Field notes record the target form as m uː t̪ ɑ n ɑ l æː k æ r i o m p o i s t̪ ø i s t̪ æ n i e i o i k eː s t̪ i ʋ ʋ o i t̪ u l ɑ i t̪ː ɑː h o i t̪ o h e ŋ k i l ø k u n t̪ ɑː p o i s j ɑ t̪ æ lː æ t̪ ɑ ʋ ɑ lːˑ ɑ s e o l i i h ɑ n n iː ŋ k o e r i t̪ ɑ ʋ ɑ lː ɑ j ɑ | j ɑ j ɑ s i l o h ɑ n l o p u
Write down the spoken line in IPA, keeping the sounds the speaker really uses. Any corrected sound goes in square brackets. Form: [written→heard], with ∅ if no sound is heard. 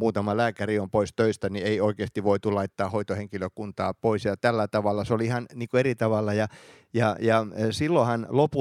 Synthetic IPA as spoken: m uː t̪ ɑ [n→m] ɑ l æː k æ r i o m p o i s t̪ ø i s t̪ æ n i e i o i k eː s t̪ i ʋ ʋ o i t̪ u l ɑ i t̪ː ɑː h o i t̪ o h e ŋ k i l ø k u n t̪ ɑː p o i s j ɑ t̪ æ lː æ t̪ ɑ ʋ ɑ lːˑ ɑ s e o l i i h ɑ n n iː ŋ k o e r i t̪ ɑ ʋ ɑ lː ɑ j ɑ | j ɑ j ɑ s i [l→lː] o h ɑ n l o p u